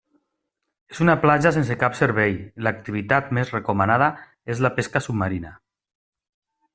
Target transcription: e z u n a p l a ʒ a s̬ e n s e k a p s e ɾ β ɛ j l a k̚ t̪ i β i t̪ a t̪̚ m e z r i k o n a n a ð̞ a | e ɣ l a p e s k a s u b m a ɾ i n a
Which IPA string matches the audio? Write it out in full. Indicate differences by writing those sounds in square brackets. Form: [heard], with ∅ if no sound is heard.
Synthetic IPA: e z u n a p l a ʒ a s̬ e n s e k a p s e ɾ β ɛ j l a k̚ t̪ i β i t̪ a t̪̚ m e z r [e] k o [m] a n a ð̞ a | e [z] l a p e s k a s u b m a ɾ i n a